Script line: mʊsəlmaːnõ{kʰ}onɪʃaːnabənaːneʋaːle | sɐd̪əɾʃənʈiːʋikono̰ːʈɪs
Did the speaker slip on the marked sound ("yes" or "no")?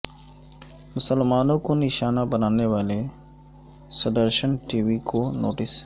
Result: yes